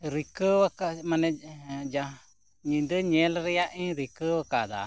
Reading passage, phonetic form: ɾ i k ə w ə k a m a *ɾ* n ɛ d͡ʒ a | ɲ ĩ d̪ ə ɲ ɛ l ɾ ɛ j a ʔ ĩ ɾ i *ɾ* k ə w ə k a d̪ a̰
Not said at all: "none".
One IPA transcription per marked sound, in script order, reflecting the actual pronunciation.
none, none

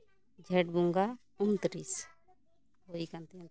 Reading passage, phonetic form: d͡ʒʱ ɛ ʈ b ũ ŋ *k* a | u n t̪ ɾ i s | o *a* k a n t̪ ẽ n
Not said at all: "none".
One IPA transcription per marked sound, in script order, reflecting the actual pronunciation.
ɡ, i

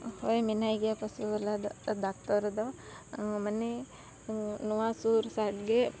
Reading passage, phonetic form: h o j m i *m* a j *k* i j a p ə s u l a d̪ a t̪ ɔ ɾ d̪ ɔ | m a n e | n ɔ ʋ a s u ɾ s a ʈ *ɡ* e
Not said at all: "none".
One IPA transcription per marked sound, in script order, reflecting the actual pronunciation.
n, ɡ, ɡ

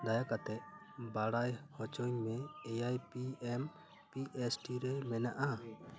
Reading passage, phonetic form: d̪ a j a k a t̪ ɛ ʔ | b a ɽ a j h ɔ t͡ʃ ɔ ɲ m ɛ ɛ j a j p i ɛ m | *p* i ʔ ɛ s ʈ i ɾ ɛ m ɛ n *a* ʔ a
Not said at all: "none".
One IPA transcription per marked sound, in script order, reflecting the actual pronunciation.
p, a

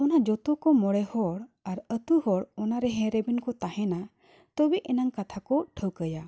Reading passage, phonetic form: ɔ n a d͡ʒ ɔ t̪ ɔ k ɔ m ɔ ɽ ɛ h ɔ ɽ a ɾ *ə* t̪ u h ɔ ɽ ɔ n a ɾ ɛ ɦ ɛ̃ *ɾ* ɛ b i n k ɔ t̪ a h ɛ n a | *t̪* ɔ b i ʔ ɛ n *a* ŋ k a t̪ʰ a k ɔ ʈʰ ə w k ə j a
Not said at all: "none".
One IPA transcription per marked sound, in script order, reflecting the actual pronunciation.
ə, ɾ, t̪, a

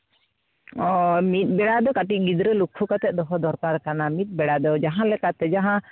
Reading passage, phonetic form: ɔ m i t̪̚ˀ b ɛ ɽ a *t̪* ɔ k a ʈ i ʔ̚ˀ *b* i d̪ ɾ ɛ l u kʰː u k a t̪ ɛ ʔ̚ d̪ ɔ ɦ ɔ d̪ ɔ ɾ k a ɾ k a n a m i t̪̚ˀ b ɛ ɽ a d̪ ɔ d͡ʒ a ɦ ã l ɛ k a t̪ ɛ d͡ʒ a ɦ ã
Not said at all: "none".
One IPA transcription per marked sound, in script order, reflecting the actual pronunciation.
d̪, ɡ

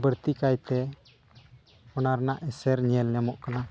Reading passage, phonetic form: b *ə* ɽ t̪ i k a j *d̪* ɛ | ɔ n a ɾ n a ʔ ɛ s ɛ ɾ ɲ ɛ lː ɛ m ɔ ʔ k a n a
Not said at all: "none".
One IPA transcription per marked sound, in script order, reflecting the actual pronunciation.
ə, t̪

